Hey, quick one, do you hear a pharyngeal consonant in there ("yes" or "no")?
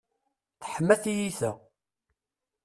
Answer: yes